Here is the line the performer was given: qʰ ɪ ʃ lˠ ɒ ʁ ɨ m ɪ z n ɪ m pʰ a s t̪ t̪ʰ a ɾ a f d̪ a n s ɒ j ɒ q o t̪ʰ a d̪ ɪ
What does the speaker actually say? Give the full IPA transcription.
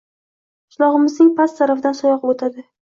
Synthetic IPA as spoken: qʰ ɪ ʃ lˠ ɒ ʁ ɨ m ɪ z n ɪ ŋ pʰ a s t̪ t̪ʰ a ɾ a f d̪ a n s ɒ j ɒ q o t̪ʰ a d̪ ɪ